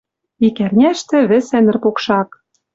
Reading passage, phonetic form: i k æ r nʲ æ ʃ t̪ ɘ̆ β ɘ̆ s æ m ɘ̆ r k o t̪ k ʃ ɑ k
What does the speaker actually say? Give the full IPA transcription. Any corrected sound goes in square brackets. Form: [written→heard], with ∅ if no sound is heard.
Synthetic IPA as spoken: i k æ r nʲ æ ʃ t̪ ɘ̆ β ɘ̆ s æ [m→n] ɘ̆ r [k→p] o [t̪→∅] k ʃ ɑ k